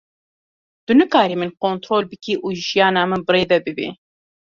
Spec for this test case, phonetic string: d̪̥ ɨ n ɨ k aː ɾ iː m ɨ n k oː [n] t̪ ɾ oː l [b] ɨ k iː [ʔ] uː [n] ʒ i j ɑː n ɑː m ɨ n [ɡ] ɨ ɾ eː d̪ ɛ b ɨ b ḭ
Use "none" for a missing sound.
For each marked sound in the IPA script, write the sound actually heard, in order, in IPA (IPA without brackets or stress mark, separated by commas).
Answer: n, b, ʔ, none, b